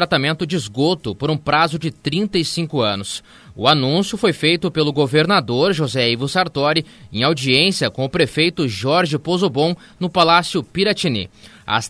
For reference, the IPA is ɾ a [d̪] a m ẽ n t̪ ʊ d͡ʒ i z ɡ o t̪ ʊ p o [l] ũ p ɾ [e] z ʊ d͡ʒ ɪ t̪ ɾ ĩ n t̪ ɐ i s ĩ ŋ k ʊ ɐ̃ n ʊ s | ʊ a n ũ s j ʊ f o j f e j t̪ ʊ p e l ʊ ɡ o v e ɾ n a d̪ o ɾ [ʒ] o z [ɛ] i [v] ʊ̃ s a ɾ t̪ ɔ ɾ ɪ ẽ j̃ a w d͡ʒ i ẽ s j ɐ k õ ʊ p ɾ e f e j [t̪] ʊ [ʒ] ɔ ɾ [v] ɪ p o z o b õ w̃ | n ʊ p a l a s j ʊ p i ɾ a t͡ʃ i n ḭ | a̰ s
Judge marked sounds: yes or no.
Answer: no, no, no, yes, yes, yes, yes, yes, no

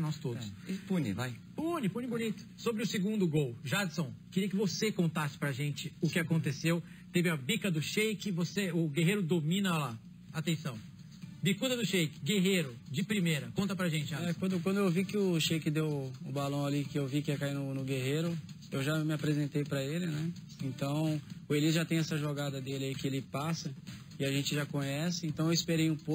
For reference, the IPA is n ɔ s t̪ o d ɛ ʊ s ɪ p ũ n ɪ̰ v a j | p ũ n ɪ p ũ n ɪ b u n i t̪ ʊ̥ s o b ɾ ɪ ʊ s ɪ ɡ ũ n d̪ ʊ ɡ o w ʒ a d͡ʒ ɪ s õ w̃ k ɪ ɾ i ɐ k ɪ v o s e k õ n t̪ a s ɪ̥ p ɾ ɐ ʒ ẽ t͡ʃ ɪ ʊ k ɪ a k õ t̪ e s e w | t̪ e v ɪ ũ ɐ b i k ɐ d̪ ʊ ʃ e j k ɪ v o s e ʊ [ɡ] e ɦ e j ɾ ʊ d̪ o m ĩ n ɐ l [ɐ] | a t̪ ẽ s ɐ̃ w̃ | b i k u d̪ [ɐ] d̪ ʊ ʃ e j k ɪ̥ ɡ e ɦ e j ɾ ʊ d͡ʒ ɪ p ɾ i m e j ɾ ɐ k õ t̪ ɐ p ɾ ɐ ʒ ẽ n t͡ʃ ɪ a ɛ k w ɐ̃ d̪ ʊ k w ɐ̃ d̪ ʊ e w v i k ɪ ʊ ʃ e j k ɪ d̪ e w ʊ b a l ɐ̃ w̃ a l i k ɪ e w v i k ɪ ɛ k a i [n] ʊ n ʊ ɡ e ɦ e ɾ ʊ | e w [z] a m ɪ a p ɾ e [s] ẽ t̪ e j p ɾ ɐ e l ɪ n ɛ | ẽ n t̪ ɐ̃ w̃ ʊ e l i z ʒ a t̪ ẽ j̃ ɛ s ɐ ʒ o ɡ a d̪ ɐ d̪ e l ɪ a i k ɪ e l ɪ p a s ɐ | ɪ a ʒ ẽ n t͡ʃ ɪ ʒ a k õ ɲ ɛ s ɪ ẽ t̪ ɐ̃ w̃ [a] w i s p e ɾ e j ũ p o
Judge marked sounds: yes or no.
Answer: yes, no, yes, yes, no, no, no

